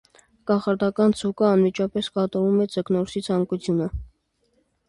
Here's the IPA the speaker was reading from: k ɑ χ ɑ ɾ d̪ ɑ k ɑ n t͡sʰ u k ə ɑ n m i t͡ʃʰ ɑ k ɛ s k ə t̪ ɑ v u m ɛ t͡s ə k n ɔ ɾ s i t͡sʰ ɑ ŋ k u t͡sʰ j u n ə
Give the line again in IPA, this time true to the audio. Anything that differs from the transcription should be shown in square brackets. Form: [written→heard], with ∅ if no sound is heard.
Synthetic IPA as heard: k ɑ χ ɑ ɾ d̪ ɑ k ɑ n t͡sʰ u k ə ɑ n m i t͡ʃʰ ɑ [k→p] ɛ s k [ə→ɑ] t̪ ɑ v u m ɛ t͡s ə k n ɔ ɾ s i t͡sʰ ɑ ŋ k u t͡sʰ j u n ə